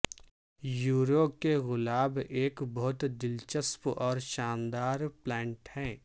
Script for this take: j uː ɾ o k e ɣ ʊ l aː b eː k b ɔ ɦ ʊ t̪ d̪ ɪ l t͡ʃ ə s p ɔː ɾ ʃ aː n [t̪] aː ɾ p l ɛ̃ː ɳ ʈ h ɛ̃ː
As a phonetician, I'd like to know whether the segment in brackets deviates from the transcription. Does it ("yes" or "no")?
yes